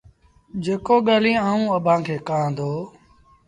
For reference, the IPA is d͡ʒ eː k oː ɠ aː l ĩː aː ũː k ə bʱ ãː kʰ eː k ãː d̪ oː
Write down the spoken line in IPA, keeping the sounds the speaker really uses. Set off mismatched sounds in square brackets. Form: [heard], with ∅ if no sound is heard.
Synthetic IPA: d͡ʒ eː k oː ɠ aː l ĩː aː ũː [∅] ə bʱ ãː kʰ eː k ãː d̪ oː